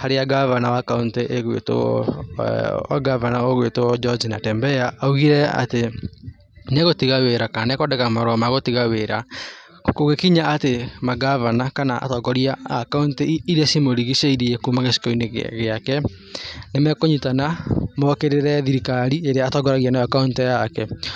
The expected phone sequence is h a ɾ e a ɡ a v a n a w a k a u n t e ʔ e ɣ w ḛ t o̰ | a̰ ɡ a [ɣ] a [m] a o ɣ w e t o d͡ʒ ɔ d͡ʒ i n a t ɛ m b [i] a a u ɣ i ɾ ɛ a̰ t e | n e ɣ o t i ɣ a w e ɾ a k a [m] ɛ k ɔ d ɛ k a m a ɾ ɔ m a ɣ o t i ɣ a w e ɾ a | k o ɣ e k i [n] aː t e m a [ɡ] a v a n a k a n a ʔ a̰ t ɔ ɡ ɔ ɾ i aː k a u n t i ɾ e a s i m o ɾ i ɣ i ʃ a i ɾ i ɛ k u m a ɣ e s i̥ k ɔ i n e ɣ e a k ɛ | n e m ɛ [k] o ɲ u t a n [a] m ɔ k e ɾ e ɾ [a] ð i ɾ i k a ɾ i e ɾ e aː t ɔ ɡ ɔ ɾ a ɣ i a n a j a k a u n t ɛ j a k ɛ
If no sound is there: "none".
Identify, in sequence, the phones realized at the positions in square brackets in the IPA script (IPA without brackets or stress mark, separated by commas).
v, n, ɛ, n, ɲ, ɡ, k, a, ɛ